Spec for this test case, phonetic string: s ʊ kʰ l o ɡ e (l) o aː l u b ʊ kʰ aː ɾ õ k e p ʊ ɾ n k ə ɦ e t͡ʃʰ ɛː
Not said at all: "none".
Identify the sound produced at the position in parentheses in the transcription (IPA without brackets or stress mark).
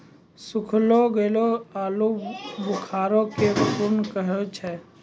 l